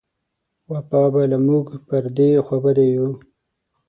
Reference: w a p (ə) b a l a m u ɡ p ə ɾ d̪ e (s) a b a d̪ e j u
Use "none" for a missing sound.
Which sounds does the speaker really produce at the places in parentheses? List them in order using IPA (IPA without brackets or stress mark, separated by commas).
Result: ɑ, x